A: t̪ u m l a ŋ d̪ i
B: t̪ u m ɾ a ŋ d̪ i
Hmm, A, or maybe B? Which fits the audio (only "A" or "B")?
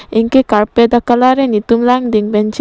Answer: A